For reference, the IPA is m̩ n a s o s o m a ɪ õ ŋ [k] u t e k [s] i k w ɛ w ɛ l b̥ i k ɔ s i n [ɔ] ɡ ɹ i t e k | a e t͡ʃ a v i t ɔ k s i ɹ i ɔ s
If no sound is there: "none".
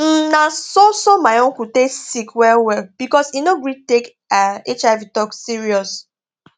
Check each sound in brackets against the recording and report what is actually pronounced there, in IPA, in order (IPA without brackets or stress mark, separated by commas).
k, s, o